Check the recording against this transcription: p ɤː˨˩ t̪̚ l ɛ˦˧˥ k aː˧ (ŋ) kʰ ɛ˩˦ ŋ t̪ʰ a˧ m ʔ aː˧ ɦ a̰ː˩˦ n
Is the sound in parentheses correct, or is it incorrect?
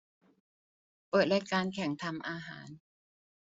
incorrect